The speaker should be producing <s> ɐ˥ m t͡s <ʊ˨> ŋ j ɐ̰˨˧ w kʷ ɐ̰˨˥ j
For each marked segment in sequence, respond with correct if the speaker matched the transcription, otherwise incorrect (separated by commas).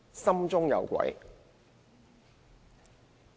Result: correct, incorrect